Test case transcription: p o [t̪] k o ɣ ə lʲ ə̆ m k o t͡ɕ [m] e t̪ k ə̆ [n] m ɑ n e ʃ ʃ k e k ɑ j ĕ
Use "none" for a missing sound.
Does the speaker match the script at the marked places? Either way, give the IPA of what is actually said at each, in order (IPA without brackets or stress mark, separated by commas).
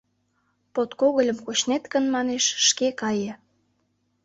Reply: t̪, n, n